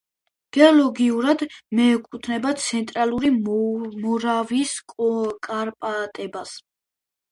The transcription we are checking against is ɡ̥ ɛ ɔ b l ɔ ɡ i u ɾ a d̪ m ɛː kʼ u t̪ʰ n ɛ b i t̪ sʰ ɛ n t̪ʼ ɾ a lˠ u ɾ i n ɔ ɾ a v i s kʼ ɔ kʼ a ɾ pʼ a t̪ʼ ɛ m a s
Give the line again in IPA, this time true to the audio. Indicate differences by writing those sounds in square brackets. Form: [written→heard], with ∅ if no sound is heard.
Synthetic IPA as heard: ɡ̥ ɛ ɔ [b→∅] l ɔ ɡ i u ɾ a d̪ m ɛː kʼ u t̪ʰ n ɛ b [i→a] t̪ sʰ ɛ n t̪ʼ ɾ a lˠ u ɾ i [n→m] ɔ ɾ a v i s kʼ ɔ kʼ a ɾ pʼ a t̪ʼ ɛ [m→b] a s

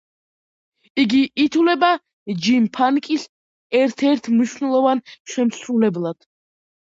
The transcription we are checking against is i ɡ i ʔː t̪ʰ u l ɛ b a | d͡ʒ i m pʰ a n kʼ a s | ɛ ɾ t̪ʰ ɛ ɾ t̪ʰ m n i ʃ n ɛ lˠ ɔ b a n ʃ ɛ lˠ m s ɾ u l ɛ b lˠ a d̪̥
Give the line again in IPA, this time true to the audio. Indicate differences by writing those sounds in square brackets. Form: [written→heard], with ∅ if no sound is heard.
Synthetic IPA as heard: i ɡ i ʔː t̪ʰ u l ɛ b a | d͡ʒ i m pʰ a n kʼ [a→i] s | ɛ ɾ t̪ʰ ɛ ɾ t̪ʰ m n i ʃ n ɛ lˠ ɔ [b→v] a n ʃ ɛ [lˠ→∅] m s ɾ u l ɛ b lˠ a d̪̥

